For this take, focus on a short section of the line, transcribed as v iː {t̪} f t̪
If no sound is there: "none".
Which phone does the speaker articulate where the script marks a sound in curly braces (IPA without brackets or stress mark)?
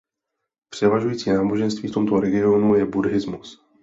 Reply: none